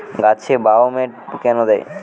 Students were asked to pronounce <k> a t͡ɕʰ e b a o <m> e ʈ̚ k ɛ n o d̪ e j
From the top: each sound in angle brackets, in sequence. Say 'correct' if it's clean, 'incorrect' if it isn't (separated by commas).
incorrect, correct